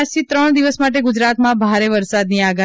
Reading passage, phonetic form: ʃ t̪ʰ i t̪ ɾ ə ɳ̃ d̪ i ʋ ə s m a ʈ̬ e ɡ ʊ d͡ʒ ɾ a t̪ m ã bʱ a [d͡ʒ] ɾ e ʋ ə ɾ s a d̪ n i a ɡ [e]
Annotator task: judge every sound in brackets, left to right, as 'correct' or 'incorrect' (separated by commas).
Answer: incorrect, incorrect